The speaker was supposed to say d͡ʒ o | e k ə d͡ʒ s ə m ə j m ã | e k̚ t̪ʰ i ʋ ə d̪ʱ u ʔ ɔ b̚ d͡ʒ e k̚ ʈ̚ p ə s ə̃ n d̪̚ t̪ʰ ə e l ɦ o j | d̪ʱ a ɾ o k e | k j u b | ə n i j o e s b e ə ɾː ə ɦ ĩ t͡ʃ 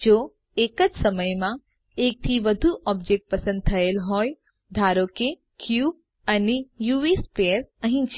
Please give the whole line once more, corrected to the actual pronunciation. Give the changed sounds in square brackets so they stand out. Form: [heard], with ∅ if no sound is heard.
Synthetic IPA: d͡ʒ o | e k ə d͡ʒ s ə m ə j m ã | e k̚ t̪ʰ i ʋ ə d̪ʱ u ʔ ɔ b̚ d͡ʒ e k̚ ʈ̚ p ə s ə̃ n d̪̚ t̪ʰ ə e l ɦ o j | d̪ʱ a ɾ o k e | k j u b | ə n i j [u] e s [p] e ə [ɾ] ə ɦ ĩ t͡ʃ